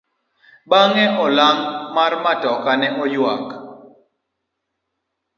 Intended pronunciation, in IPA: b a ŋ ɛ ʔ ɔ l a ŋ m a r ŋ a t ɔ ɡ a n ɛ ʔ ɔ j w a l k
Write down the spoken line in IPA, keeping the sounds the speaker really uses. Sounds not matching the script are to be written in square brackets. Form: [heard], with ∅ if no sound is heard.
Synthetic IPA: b a ŋ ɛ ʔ ɔ l a ŋ m a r [m] a t ɔ [k] a n ɛ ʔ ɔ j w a [∅] k

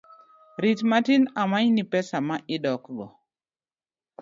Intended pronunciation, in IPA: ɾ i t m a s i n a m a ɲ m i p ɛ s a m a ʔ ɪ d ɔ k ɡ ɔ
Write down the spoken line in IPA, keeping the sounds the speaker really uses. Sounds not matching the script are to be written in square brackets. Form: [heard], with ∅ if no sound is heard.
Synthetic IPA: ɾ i t m a [t] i n a m a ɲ [n] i p ɛ s a m a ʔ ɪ d ɔ k ɡ ɔ

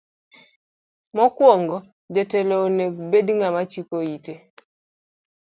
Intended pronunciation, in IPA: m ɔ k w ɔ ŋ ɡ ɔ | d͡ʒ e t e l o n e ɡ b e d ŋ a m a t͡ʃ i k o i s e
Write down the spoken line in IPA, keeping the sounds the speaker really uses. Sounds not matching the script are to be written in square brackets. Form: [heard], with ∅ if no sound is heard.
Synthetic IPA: m ɔ k w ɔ ŋ ɡ ɔ | d͡ʒ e t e l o n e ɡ b e d ŋ a m a t͡ʃ i k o i [t] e

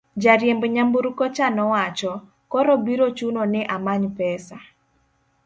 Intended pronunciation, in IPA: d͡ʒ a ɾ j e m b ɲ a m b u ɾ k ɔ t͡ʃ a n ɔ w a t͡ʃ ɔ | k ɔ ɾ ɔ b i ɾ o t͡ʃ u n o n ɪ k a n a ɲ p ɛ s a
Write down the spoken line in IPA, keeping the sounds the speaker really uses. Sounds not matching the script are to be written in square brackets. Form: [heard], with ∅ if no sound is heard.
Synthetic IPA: d͡ʒ a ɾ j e m b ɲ a m b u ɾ k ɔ t͡ʃ a n ɔ w a t͡ʃ ɔ | k ɔ ɾ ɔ b i ɾ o t͡ʃ u n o n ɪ [ʔ] a [m] a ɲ p ɛ s a

